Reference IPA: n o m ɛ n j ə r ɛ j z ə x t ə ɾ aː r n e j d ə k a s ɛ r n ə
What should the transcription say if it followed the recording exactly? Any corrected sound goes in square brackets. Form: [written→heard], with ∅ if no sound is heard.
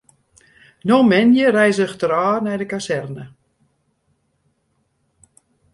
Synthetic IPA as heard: n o m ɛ n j ə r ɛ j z ə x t ə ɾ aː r n [e→ɛ] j d ə k a s ɛ r n ə